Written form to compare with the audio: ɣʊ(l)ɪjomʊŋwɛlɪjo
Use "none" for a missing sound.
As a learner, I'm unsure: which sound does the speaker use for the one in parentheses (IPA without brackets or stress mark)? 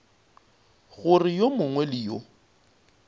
r